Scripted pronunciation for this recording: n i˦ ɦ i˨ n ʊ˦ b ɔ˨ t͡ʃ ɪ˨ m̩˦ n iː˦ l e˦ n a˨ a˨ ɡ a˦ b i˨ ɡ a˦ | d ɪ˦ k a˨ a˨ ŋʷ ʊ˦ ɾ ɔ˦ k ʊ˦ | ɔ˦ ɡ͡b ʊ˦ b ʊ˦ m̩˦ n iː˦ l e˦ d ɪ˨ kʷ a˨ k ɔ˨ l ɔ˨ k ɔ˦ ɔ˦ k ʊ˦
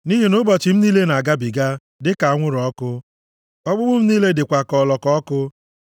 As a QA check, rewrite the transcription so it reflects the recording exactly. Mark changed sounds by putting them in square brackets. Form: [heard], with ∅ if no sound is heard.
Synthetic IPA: n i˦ ɦ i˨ n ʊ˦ b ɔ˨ t͡ʃ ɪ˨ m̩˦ n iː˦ l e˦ n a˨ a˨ ɡ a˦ b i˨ ɡ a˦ | d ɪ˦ k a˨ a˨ ŋʷ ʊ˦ ɾ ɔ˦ k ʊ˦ | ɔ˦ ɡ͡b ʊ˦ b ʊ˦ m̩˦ n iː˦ l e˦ d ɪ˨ kʷ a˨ k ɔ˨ l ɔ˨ k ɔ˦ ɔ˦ k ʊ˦